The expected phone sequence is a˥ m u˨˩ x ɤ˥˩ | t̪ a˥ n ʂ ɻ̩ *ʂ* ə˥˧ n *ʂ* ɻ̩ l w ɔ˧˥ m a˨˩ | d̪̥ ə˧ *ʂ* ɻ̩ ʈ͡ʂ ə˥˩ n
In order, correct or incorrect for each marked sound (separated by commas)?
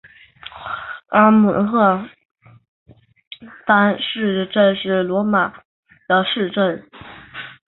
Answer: incorrect, correct, correct